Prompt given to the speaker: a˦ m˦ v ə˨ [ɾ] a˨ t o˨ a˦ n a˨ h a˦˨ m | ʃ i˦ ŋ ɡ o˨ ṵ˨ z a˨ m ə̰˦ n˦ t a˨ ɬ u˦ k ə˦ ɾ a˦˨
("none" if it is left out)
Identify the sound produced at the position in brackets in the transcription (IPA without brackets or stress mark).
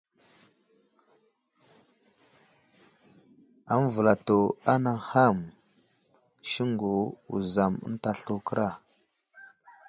l